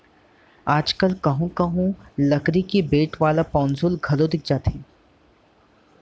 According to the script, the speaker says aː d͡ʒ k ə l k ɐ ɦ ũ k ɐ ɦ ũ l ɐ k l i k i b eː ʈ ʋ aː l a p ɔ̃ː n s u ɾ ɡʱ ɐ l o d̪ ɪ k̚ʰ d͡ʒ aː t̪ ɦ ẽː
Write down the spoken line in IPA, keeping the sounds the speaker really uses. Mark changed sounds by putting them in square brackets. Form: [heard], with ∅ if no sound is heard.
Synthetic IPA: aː d͡ʒ k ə l k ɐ ɦ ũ k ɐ ɦ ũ l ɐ k [ɾ] i k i b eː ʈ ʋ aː l a p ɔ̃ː n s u [l] ɡʱ ɐ l o d̪ ɪ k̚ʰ d͡ʒ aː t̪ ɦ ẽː